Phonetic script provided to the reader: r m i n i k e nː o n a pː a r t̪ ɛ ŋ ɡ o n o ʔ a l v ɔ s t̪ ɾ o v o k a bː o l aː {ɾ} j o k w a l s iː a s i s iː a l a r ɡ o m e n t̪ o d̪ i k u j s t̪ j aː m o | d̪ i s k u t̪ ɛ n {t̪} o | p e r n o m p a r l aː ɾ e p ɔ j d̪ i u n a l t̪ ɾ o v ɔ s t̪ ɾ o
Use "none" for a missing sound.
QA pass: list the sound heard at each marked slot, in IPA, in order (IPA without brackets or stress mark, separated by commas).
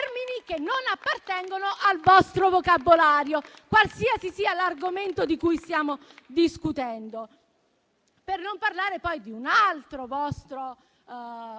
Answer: ɾ, d̪